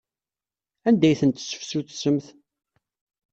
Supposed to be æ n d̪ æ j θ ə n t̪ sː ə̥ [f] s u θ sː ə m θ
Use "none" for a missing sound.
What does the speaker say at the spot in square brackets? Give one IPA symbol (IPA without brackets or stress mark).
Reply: f